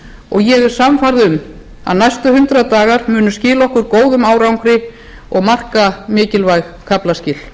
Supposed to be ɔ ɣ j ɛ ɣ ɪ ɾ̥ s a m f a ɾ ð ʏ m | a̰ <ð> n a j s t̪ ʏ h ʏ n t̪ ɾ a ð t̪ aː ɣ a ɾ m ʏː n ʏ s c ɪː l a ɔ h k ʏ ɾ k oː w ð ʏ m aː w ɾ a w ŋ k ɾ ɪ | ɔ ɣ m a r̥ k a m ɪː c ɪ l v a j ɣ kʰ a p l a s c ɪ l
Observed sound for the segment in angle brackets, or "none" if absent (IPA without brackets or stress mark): ð